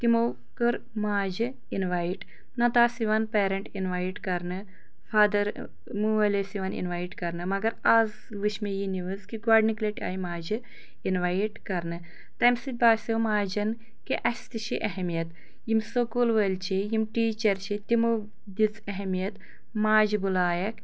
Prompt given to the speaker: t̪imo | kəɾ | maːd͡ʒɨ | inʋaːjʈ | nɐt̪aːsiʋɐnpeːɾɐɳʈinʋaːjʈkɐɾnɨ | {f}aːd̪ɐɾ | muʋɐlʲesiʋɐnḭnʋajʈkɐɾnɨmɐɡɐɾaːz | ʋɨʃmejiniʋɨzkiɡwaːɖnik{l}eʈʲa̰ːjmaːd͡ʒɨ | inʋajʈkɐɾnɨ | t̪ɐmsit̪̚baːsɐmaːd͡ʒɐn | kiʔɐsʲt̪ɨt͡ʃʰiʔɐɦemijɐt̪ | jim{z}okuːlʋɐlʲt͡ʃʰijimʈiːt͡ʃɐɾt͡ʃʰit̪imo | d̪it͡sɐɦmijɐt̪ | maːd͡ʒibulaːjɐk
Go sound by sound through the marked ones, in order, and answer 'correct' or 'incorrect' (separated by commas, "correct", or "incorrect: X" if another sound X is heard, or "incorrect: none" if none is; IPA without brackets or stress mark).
correct, correct, incorrect: s